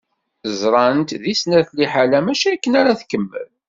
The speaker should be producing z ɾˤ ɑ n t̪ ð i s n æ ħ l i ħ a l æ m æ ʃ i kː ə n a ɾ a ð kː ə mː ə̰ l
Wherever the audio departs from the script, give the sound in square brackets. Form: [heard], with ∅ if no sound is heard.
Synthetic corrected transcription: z ɾˤ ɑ n t̪ ð i s n æ [θ] l i ħ a l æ m æ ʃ [æ] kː ə n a ɾ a [θ] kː ə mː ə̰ l